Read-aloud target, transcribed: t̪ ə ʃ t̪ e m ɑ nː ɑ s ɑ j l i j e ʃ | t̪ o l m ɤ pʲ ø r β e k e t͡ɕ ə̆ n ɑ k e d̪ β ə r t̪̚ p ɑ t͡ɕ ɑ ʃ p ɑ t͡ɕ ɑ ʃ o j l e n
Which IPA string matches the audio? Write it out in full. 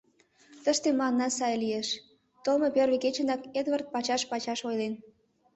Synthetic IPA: t̪ ə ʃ t̪ e m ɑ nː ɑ s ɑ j l i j e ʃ | t̪ o l m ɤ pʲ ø r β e k e t͡ɕ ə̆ n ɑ k e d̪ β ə r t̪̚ p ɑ t͡ɕ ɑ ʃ p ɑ t͡ɕ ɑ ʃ o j l e n